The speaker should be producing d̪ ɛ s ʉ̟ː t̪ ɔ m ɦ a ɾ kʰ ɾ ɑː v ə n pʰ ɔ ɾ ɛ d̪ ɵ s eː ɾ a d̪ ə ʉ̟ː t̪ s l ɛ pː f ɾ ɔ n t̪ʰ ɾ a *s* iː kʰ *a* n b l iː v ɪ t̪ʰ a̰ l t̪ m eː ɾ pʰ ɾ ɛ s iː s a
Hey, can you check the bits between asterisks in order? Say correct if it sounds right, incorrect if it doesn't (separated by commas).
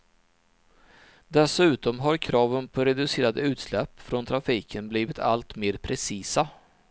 incorrect, incorrect